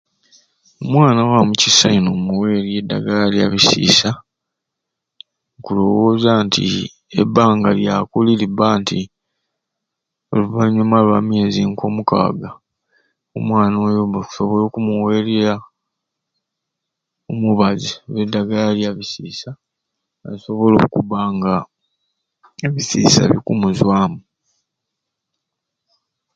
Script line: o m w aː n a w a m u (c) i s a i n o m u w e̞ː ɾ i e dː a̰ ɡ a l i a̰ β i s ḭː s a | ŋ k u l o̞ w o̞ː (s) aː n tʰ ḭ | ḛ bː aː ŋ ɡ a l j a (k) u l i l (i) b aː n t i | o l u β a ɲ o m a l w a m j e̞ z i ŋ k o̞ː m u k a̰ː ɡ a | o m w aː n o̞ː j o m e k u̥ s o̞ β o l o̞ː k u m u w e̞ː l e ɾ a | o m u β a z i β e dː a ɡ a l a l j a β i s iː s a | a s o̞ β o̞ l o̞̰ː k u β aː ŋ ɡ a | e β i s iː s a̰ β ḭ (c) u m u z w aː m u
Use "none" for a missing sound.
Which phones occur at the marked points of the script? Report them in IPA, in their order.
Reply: c, z, k, i, k

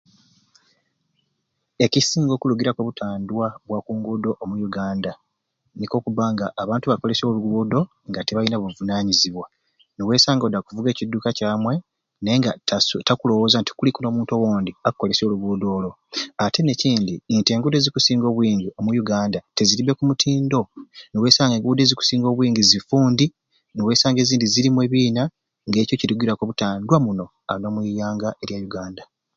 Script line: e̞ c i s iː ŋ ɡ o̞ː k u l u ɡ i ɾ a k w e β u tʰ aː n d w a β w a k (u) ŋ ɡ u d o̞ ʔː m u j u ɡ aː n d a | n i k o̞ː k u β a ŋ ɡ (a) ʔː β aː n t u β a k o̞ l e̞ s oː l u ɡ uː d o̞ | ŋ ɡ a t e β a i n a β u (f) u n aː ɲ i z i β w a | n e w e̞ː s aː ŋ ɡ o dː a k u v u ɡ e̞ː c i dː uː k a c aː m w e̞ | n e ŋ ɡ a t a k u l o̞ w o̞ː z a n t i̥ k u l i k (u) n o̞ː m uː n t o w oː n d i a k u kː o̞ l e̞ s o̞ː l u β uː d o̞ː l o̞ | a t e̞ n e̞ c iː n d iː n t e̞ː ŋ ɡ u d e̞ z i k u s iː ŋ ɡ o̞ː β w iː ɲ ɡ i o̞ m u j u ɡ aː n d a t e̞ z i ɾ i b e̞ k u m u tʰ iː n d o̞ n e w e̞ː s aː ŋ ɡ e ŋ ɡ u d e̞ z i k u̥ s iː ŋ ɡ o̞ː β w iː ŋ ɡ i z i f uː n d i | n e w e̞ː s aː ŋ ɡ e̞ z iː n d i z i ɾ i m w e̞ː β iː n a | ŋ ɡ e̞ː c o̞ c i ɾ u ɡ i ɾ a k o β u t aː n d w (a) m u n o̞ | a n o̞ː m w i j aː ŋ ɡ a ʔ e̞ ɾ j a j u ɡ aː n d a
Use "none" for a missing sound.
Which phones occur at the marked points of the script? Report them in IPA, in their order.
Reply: uː, a, v, u, a

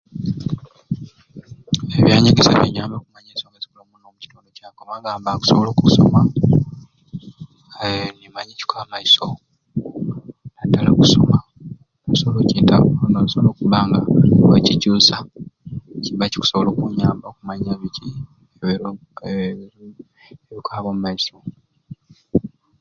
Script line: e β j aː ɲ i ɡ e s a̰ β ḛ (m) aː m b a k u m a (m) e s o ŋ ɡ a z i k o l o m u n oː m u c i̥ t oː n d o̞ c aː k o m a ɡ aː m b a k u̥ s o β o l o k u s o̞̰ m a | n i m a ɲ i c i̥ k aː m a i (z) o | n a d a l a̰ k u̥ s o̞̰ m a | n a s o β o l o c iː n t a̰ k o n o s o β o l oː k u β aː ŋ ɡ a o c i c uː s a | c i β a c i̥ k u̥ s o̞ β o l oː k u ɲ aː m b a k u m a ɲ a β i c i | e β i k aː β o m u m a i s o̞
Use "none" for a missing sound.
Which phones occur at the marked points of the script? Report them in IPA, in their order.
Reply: ɲ, ɲ, s

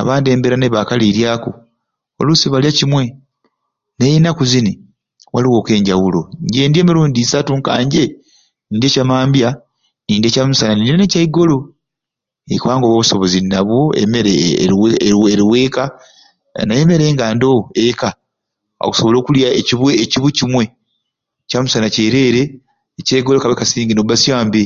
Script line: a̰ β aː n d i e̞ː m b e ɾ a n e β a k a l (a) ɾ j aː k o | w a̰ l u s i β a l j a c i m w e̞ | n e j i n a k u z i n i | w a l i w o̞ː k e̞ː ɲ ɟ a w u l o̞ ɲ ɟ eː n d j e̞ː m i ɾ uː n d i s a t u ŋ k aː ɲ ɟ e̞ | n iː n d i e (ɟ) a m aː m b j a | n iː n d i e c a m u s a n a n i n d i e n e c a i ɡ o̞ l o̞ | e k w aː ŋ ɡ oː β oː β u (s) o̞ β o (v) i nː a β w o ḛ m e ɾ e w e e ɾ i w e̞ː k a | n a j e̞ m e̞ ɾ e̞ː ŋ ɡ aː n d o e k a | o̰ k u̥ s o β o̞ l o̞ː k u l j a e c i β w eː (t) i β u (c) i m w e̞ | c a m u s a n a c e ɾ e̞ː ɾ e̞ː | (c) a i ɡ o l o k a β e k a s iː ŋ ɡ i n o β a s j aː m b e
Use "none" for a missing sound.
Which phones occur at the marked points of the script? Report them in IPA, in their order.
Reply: i, c, s, z, c, c, c

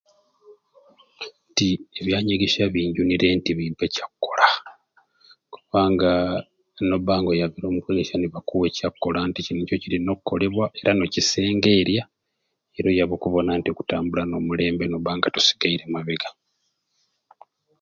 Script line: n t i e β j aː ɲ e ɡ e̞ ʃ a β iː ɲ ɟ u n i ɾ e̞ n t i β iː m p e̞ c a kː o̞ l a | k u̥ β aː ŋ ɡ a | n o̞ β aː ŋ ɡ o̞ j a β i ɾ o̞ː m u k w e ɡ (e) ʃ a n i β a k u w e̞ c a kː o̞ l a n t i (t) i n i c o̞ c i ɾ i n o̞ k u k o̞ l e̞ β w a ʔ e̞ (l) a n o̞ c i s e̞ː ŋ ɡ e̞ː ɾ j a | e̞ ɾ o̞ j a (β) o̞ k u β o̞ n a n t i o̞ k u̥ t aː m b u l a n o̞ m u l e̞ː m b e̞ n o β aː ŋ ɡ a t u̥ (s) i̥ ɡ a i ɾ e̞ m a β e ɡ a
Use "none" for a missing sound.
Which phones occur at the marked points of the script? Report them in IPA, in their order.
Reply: e, c, ɾ, β, s

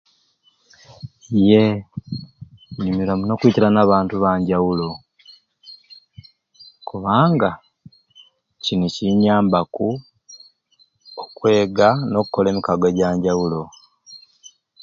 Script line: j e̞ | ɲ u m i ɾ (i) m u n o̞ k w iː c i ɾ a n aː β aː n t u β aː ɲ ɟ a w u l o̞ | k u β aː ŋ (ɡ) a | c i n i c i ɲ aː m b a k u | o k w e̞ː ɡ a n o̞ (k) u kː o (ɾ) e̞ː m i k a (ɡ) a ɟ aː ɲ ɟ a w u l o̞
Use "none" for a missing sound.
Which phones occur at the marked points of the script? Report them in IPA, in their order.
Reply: a, ɡ, k, l, ɡ

